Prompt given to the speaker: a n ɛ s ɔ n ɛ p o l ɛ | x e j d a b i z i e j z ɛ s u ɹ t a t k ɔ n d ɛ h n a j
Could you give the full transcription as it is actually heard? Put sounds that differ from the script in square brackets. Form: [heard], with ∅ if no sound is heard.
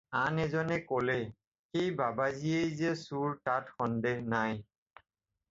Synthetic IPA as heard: a n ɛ [z] ɔ n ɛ [k] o l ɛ | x e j [b] a b [a] z i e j z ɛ s u ɹ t a t [x] ɔ n d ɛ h n a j